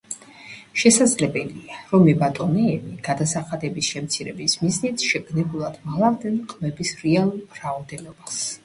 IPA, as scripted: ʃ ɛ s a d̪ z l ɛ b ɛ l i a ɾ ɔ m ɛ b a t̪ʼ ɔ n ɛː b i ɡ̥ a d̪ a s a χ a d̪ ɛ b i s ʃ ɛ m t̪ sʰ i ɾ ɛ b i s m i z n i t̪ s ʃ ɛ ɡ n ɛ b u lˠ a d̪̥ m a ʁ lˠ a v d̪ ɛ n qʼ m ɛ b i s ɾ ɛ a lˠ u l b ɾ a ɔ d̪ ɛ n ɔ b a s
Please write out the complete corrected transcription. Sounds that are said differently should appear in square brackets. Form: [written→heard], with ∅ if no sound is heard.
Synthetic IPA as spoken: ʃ ɛ s a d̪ z l ɛ b ɛ l i a ɾ ɔ m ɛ b a t̪ʼ ɔ n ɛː b i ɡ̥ a d̪ a s a χ a d̪ ɛ b i s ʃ ɛ m t̪ sʰ i ɾ ɛ b i s m i z n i t̪ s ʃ ɛ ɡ n ɛ b u lˠ a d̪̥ m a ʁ lˠ a v d̪ ɛ n qʼ m ɛ b i s ɾ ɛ a lˠ u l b ɾ a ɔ d̪ ɛ n ɔ b a s